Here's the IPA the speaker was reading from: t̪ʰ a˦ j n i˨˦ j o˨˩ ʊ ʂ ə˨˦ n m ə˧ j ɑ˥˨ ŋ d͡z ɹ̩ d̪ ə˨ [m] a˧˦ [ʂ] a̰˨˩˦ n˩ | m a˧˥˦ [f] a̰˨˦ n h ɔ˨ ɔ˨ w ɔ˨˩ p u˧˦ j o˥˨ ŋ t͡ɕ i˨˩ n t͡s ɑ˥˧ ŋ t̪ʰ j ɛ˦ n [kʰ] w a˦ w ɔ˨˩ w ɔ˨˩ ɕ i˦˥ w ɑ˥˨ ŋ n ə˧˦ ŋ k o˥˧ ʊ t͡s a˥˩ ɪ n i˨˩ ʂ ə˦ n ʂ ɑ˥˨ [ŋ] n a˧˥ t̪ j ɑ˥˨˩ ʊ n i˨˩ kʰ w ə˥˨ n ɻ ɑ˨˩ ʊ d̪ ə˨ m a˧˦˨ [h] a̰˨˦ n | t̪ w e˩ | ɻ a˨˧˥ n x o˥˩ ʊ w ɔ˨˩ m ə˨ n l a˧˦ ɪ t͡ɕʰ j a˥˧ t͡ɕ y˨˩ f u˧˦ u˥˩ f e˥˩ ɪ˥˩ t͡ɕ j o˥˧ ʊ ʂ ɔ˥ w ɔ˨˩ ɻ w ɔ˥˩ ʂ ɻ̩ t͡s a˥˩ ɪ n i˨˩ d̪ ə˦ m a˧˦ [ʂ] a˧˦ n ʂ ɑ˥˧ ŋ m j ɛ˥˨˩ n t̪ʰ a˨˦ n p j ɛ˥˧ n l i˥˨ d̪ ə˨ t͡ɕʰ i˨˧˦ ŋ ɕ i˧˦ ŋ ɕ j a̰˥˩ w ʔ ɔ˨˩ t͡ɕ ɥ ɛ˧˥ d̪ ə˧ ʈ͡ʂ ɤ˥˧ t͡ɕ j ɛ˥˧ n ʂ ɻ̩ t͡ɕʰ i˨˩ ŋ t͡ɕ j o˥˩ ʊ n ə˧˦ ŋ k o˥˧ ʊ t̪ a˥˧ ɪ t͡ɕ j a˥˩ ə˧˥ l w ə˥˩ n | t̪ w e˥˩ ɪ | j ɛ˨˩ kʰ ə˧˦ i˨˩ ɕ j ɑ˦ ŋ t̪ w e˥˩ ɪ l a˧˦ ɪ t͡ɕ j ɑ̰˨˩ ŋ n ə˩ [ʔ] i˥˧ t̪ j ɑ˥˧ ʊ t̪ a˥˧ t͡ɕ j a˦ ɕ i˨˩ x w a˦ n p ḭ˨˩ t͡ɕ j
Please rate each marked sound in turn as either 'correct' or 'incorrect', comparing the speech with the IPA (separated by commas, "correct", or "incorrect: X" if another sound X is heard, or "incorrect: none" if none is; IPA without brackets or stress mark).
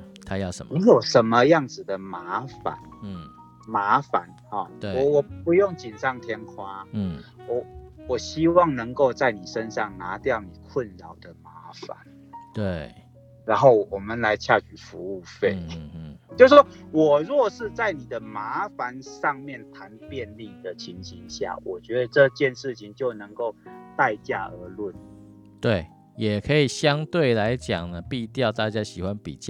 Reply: correct, incorrect: f, correct, correct, correct, incorrect: f, incorrect: f, incorrect: p